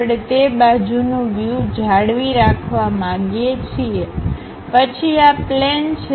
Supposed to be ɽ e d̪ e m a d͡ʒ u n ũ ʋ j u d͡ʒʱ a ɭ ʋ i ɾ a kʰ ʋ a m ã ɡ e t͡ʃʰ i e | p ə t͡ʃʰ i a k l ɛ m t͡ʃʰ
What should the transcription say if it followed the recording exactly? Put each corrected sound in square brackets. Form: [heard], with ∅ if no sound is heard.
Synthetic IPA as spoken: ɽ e [t̪] e [b] a d͡ʒ u n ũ ʋ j u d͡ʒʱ a [ɽ] ʋ i ɾ a kʰ ʋ a m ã ɡ e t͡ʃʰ i e | p ə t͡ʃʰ i a [p] l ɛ [n] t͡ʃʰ